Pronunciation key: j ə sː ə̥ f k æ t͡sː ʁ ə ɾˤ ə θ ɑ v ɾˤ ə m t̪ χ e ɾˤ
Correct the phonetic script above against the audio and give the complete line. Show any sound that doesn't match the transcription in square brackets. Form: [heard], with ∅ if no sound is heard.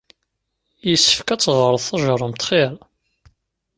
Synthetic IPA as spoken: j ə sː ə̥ f k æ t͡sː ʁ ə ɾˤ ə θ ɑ [ʒ] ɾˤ ə m t̪ χ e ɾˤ

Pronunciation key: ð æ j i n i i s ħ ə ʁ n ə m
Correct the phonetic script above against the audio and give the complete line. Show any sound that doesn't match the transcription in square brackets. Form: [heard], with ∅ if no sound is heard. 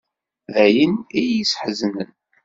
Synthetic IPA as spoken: ð æ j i n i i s ħ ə [z] n ə [n]

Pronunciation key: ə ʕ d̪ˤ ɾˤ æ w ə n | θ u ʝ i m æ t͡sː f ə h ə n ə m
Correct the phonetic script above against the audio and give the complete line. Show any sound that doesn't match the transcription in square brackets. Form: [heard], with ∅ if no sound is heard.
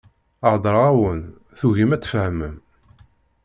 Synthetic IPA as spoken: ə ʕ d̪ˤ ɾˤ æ w ə n | θ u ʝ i m æ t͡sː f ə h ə [m] ə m

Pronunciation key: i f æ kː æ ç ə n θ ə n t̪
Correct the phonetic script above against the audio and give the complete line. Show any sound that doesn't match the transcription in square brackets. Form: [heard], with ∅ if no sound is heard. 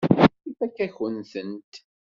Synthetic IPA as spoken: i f æ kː æ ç ə n θ ə n t̪

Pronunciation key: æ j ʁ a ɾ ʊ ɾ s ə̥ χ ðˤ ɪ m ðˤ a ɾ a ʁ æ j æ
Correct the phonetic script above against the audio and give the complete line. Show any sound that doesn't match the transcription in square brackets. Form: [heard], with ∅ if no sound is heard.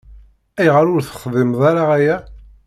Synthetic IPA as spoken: æ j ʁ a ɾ ʊ ɾ [θ] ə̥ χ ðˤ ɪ m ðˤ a ɾ a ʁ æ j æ

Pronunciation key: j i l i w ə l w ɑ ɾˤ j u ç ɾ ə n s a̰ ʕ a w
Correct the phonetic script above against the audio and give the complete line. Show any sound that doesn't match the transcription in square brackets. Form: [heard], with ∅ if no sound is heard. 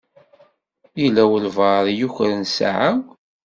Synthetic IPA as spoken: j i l [æ] w ə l [v] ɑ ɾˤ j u ç ɾ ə n s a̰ ʕ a w

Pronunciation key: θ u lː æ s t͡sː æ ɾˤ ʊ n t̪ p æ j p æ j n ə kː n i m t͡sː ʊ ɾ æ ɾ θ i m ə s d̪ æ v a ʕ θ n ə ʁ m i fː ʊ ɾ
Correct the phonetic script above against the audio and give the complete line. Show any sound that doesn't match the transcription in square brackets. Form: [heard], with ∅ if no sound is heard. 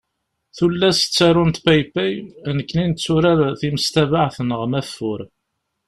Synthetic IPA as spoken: θ u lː æ s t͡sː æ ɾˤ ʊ n t̪ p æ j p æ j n ə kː n i [n] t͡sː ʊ ɾ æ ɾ θ i m ə s [t̪] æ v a ʕ θ n ə ʁ m [æ] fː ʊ ɾ

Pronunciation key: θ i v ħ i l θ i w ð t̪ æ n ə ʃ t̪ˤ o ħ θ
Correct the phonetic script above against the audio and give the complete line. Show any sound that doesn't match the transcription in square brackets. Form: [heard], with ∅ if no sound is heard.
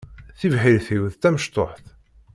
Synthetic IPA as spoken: θ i v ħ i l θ i w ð t̪ æ [m] ə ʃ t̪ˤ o ħ θ

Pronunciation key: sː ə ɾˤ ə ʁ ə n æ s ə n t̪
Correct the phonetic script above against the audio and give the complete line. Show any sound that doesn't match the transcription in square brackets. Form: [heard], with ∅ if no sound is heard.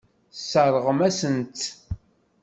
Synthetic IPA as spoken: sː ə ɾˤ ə ʁ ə [m] æ s ə n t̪

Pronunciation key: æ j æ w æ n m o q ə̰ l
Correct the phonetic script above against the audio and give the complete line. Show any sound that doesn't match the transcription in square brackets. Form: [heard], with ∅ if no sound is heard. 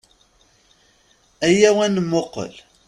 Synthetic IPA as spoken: æ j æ w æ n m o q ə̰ l

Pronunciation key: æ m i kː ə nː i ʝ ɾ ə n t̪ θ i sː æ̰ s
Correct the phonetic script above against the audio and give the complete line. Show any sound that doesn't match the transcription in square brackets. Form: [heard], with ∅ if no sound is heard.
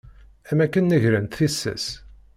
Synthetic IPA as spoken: æ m [æ] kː ə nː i ʝ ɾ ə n t̪ θ i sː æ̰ s

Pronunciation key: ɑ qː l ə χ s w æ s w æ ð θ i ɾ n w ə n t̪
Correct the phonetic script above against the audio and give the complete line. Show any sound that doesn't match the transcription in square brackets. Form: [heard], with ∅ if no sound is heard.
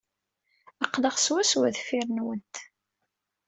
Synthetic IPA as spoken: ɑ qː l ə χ s w æ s w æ ð [f] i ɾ n w ə n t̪

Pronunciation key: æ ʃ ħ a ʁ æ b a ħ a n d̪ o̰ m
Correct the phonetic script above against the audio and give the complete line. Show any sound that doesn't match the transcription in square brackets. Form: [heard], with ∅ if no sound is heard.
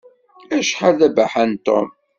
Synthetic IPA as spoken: æ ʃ ħ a [ð] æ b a ħ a n [t̪] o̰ m

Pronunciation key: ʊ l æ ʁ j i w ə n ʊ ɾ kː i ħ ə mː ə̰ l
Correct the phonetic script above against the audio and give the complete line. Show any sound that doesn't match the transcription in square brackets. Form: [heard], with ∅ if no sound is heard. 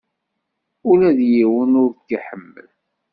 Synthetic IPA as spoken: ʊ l æ [ð] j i w ə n ʊ ɾ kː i ħ ə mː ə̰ l

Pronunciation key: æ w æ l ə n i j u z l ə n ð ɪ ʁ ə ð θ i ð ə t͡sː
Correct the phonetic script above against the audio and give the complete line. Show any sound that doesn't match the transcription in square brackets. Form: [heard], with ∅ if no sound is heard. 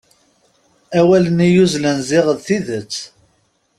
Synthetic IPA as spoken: æ w æ l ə n i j u z l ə n [z] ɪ ʁ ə ð θ i ð ə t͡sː

